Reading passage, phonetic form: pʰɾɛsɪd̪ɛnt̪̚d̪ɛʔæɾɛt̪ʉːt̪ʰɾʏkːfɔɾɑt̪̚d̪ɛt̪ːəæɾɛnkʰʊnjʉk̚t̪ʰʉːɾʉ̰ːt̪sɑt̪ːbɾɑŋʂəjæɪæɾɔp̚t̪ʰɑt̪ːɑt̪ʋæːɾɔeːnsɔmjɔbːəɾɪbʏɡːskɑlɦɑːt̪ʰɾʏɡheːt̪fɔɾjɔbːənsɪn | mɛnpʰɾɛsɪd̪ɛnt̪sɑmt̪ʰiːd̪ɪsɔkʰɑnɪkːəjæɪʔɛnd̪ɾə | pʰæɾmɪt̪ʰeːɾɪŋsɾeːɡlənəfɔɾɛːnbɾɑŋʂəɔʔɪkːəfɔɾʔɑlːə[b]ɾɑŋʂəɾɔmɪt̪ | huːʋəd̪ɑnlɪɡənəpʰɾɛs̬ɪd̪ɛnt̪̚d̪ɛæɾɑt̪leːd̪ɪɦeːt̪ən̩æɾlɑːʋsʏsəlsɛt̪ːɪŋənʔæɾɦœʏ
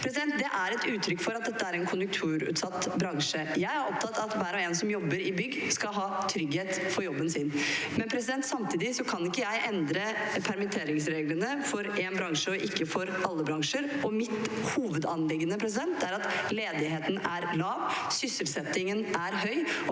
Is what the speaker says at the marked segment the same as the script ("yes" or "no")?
yes